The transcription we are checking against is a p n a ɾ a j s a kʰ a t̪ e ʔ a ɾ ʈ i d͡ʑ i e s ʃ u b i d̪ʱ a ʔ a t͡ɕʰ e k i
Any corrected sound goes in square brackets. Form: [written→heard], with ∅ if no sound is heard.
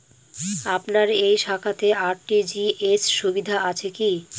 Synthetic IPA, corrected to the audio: a p n a ɾ [a→e] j [s→ʃ] a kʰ a t̪ e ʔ a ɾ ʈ i d͡ʑ i e s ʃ u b i d̪ʱ a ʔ a t͡ɕʰ e k i